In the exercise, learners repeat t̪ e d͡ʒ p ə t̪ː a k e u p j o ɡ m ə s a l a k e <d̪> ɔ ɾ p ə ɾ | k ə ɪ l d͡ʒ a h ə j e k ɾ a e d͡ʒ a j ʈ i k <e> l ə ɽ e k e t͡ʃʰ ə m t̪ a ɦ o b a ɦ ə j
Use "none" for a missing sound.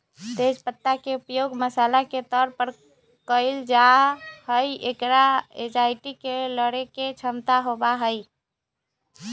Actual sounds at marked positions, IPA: t̪, e

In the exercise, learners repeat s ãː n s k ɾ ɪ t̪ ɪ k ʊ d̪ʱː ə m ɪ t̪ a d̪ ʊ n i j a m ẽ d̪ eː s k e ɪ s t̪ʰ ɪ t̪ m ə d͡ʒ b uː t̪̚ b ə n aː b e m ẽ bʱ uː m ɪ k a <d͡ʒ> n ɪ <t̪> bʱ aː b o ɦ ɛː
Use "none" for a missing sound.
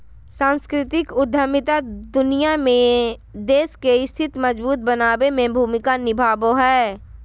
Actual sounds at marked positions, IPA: none, none

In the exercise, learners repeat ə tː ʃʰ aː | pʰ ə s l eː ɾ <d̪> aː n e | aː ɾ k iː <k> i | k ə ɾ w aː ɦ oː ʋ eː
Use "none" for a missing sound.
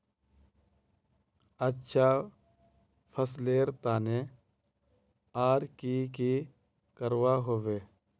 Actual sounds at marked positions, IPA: t̪, k

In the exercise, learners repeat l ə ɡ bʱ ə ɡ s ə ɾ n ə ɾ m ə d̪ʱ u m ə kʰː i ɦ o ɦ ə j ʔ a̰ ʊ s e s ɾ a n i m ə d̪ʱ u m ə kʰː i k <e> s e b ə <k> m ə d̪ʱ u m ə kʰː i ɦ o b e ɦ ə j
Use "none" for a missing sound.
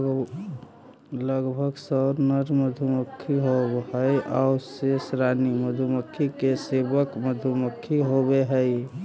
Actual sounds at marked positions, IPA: e, k

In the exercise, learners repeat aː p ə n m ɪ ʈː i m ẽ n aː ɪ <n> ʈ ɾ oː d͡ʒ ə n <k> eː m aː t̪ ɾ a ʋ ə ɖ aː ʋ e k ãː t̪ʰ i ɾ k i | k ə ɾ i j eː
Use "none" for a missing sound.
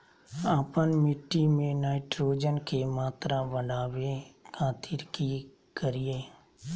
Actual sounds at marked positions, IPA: none, kʰ

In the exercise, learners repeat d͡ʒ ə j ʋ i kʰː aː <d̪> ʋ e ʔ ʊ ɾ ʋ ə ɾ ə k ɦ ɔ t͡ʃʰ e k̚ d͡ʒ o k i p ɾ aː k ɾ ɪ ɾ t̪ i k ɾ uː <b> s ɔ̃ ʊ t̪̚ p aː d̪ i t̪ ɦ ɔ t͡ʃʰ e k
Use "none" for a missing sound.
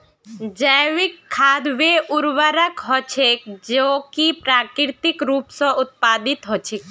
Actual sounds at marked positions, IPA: d̪, p

